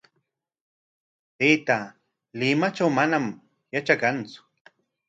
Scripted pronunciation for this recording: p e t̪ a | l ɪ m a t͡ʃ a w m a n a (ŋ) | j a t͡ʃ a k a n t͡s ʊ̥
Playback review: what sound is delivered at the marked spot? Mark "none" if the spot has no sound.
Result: m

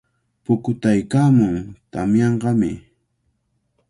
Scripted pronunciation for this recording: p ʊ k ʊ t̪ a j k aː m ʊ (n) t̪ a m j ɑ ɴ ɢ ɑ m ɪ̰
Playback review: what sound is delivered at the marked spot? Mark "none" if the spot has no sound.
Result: ŋ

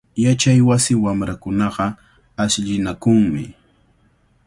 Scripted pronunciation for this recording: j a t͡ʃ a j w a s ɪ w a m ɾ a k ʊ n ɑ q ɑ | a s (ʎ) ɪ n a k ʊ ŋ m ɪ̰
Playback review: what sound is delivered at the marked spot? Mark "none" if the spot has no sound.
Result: ʎ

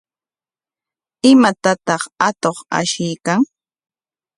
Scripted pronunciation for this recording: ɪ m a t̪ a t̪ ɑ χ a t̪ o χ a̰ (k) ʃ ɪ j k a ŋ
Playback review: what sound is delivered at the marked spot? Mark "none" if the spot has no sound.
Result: none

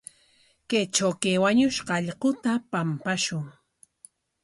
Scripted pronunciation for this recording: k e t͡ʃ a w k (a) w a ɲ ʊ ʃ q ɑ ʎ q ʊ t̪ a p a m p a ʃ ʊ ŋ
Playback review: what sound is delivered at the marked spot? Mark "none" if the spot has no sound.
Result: e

